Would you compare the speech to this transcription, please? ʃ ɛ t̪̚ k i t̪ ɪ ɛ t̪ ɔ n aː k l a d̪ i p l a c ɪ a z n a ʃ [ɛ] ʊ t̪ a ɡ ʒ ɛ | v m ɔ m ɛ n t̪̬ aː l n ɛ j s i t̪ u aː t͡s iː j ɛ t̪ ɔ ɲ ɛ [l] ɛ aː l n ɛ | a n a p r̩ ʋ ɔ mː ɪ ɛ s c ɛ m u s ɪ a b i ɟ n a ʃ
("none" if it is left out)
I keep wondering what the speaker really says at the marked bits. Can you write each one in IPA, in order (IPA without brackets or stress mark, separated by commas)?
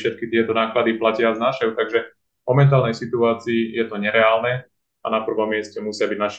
ɛ, ɾ